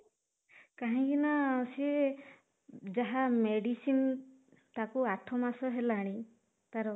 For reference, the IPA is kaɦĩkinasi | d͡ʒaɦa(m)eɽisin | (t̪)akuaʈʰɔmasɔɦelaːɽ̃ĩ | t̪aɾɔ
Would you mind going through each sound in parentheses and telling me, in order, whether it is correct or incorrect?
correct, correct

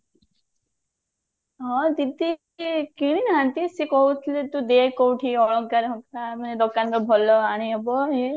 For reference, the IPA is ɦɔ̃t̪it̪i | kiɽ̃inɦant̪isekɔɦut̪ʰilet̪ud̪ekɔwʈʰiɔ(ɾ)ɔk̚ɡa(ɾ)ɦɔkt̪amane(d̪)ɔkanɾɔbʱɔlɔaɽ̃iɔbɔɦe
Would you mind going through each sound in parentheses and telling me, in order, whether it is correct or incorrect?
incorrect: ɭ, correct, correct

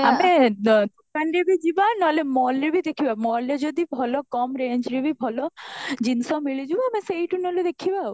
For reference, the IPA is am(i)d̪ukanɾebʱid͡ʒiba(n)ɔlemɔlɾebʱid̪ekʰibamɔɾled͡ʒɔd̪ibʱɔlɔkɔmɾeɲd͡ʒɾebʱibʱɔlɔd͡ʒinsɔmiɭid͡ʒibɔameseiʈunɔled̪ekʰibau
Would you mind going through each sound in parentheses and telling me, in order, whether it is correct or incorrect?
incorrect: e, correct

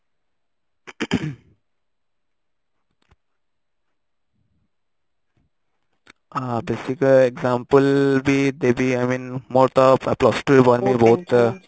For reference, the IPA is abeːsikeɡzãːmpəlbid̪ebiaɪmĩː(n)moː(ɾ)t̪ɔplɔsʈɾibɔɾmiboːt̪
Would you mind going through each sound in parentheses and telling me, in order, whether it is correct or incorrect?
correct, correct

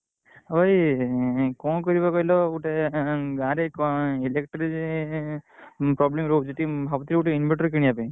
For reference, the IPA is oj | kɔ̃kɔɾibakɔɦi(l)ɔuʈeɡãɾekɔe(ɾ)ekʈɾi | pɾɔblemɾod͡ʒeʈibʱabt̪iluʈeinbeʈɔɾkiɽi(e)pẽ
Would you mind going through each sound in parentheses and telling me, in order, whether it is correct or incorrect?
correct, incorrect: l, incorrect: a

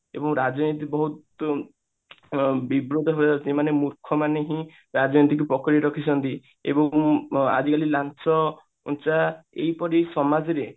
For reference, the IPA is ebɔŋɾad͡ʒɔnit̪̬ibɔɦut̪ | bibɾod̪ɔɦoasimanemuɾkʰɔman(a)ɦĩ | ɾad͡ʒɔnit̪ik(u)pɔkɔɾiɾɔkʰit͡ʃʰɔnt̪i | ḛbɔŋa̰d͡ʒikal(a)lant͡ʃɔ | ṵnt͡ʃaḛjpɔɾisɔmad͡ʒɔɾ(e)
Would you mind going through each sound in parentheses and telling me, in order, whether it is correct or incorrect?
incorrect: e, correct, incorrect: i, correct

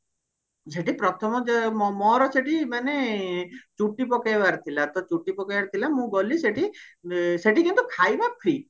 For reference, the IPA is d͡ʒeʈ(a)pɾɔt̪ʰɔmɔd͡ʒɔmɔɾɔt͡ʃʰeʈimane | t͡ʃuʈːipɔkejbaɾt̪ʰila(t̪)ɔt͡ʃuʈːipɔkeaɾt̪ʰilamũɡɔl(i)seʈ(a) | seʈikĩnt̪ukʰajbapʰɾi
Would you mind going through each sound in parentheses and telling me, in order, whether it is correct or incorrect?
incorrect: i, correct, correct, incorrect: i

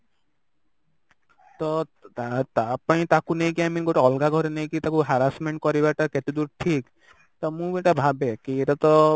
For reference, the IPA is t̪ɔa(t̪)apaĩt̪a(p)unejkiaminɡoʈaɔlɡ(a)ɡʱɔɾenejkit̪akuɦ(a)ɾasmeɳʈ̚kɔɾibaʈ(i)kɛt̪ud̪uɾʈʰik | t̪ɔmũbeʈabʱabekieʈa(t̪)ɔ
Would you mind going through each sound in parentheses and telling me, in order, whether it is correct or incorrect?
correct, incorrect: k, correct, correct, incorrect: a, correct

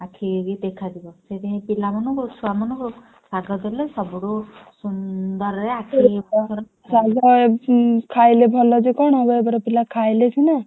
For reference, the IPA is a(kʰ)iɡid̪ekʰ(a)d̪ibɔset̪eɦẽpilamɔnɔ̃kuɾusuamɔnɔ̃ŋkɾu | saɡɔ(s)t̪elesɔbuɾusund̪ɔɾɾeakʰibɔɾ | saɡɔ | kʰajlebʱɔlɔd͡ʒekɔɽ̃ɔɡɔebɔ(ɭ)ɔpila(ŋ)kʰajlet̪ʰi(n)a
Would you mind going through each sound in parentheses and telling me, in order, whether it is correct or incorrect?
correct, correct, incorrect: none, incorrect: ɾ, incorrect: none, correct

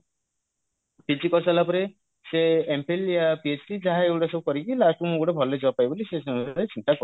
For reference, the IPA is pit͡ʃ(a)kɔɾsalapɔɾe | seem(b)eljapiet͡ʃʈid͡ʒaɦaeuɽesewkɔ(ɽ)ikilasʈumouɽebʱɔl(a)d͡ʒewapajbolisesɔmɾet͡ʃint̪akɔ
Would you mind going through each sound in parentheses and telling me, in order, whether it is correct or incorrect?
incorrect: i, incorrect: p, incorrect: ɾ, incorrect: e

